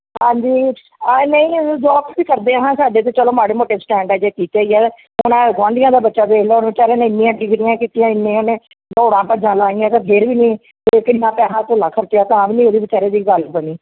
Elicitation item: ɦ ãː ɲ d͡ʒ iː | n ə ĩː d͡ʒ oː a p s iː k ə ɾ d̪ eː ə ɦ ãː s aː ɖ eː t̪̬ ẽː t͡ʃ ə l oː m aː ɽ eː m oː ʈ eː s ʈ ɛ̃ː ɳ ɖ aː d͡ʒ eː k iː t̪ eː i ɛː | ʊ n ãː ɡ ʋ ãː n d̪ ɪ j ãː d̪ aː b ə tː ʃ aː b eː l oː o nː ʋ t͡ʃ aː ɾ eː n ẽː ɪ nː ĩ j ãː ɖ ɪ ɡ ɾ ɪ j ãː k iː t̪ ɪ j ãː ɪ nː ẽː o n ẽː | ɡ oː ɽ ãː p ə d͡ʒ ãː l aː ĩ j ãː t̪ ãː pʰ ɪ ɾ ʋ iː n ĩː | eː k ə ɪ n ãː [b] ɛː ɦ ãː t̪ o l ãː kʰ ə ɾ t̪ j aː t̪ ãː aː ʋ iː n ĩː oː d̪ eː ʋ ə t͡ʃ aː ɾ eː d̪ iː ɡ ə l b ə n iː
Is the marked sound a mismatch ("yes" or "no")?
yes